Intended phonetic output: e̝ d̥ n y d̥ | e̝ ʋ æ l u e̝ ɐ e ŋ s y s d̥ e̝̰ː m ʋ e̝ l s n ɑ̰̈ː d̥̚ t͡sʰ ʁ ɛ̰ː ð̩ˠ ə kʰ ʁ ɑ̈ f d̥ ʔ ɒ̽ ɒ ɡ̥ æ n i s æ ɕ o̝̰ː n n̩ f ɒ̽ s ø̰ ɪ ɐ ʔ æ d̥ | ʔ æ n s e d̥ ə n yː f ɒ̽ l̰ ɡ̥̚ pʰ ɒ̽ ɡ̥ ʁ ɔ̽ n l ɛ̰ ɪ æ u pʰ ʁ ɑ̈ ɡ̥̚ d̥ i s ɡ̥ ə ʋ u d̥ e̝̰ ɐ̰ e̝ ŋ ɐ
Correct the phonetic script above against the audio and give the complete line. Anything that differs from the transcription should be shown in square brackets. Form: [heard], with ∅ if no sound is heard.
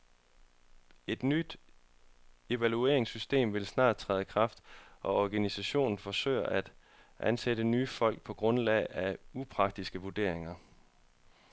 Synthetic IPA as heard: e̝ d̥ n y d̥ | e̝ ʋ æ l u e̝ ɐ e ŋ s y s d̥ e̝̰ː m ʋ e̝ l s n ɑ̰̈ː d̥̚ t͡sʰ ʁ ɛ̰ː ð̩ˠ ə kʰ ʁ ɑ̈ f d̥ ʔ ɒ̽ ɒ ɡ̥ æ n i s æ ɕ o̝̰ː n n̩ f ɒ̽ s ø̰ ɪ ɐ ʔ æ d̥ | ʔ æ n s e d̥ ə n yː f ɒ̽ l̰ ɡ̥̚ pʰ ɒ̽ ɡ̥ ʁ ɔ̽ n l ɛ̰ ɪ æ u pʰ ʁ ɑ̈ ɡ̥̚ d̥ i s ɡ̥ ə ʋ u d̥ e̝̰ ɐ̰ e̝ ŋ ɐ